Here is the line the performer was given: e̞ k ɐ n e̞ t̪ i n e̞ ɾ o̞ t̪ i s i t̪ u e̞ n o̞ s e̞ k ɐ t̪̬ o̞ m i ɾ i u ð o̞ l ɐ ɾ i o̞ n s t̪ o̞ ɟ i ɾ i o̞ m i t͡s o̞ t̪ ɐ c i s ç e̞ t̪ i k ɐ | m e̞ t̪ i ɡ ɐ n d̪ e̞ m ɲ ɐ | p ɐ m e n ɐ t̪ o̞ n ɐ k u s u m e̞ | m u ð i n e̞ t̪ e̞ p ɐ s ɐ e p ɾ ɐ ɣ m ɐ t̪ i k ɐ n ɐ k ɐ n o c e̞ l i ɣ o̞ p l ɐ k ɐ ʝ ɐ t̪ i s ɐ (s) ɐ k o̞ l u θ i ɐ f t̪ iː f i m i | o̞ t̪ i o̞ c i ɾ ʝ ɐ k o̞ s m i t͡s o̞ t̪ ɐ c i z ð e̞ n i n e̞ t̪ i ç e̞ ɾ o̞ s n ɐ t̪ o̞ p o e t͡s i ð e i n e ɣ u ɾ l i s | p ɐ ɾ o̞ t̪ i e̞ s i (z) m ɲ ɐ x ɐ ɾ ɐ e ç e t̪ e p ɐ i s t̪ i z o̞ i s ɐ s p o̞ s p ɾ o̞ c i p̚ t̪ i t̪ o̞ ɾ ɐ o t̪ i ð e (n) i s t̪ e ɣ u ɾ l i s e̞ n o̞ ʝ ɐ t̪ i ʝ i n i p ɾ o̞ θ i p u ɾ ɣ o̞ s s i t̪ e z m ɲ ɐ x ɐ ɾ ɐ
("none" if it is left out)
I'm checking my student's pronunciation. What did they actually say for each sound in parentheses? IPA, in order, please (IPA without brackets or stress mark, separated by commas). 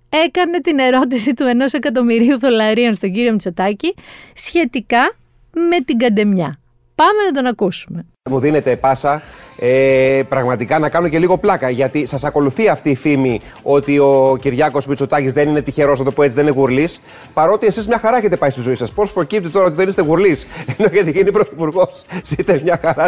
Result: s, z, n